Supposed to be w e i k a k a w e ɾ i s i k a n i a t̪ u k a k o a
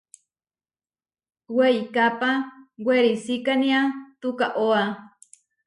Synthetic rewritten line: w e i k a p a w e ɾ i s i k a n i a t̪ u k a ʔ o a

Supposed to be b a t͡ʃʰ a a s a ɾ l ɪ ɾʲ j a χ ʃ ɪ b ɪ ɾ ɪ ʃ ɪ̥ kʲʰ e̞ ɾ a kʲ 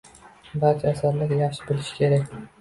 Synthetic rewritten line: b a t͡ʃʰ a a s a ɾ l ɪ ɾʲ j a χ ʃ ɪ b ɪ l ɪ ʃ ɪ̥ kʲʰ e̞ ɾ a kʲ

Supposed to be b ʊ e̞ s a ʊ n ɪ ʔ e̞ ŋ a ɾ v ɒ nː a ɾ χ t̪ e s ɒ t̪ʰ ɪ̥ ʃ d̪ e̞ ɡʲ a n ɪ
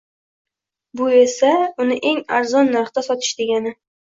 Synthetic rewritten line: b ʊ e̞ s a ʊ n ɪ ʔ e̞ ŋ a ɾ z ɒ nː a ɾ χ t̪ a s ɒ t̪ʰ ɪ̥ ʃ d̪ e̞ ɡʲ a n ɪ

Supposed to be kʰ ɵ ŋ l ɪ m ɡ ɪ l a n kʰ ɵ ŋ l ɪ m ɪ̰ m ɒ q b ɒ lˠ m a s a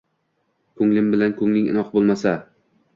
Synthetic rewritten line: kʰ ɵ ŋ l ɪ m b ɪ l a n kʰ ɵ ŋ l ɪ ŋ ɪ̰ n ɒ q b o lˠ m a s a

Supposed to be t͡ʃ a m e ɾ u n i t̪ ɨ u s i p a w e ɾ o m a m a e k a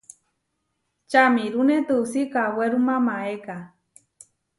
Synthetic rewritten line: t͡ʃ a m i ɾ u n e t̪ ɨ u s i k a w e ɾ u m a m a e k a

